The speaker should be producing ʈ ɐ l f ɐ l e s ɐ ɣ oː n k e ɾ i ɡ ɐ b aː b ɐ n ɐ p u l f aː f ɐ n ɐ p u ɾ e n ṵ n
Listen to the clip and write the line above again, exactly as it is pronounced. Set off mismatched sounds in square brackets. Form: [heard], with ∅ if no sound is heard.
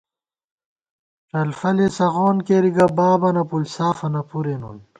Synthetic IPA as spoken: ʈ ɐ l f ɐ l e s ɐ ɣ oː n k e ɾ i ɡ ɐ b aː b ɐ n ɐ p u l [s] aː f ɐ n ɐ p u ɾ e n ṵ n